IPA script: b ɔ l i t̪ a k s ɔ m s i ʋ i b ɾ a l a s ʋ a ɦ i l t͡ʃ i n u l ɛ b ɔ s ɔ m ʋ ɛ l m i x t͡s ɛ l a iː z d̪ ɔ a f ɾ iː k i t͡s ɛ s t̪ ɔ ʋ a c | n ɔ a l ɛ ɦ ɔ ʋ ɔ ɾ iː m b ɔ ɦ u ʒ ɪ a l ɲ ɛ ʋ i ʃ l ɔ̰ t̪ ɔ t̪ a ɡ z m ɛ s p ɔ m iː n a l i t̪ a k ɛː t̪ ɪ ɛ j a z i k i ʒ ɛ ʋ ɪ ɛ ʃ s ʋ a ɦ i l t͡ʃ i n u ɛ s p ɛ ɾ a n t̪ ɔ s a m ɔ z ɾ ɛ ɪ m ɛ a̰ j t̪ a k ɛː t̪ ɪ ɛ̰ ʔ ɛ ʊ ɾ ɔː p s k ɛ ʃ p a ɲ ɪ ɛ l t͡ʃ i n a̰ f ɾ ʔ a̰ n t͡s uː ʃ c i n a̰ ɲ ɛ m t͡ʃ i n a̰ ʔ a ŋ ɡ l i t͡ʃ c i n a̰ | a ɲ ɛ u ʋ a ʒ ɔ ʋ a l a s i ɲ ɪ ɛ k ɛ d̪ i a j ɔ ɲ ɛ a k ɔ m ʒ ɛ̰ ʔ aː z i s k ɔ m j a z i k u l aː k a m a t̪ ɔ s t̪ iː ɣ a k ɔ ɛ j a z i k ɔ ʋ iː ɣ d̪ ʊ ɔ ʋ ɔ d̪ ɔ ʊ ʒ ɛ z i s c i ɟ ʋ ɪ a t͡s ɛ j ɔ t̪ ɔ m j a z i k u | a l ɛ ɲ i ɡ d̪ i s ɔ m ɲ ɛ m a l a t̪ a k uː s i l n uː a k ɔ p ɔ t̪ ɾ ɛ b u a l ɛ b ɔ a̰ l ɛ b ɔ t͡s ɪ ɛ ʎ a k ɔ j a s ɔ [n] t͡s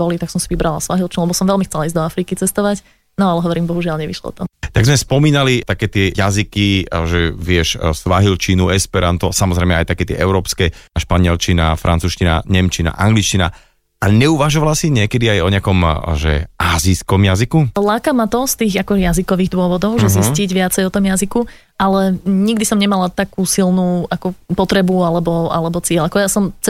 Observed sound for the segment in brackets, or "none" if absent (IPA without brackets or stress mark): m